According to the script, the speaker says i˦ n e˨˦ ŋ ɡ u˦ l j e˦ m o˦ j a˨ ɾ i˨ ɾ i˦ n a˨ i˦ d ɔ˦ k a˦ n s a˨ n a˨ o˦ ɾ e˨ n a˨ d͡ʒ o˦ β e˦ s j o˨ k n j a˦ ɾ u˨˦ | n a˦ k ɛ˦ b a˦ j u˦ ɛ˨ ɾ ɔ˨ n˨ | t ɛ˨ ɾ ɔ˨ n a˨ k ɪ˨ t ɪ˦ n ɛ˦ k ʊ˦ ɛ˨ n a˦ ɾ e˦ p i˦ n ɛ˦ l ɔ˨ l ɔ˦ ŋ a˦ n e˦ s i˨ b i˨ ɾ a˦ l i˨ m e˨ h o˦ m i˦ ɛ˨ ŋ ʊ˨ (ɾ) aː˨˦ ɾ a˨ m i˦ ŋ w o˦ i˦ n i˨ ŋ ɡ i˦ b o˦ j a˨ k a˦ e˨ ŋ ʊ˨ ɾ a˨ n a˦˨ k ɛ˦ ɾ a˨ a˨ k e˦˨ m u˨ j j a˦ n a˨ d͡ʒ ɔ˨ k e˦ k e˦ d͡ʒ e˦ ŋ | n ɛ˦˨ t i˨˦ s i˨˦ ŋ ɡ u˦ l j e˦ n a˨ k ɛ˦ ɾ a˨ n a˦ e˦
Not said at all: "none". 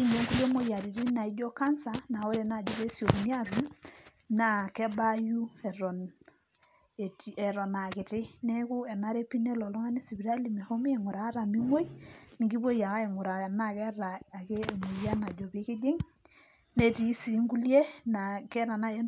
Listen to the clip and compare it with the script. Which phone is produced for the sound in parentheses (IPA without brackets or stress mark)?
ɾ